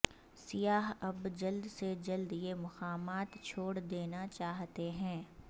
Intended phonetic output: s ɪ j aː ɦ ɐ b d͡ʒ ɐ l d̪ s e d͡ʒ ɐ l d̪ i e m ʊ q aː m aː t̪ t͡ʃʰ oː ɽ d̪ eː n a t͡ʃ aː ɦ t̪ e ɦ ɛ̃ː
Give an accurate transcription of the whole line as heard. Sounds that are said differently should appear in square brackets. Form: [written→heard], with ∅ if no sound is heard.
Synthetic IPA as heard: s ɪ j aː ɦ ɐ b d͡ʒ ɐ l d̪ s e d͡ʒ ɐ l d̪ [i→j] e m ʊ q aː m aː t̪ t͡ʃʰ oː ɽ d̪ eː n a t͡ʃ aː ɦ t̪ e ɦ ɛ̃ː